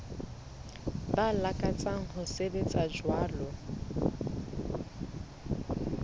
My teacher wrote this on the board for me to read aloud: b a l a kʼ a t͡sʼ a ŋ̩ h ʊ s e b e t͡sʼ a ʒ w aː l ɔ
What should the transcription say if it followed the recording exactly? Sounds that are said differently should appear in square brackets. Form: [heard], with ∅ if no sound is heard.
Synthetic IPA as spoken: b a l a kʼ a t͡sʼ a ŋ̩ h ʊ s e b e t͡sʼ a [d͡ʒ] w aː l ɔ